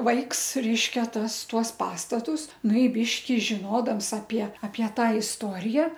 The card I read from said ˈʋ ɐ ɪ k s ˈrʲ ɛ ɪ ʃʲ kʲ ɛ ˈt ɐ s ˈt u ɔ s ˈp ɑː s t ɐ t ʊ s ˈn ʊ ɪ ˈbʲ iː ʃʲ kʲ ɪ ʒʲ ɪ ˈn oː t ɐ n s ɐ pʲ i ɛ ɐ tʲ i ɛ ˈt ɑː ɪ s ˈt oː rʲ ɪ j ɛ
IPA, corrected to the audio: ˈʋ ɐ ɪ k s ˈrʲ ɛ ɪ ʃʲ kʲ ɛ ˈt ɐ s ˈt u ɔ s ˈp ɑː s t ɐ t ʊ s ˈn ʊ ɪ ˈbʲ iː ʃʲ kʲ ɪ ʒʲ ɪ ˈn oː d ɐ m s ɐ pʲ i ɛ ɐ pʲ i ɛ ˈt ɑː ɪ s ˈt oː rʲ ɪ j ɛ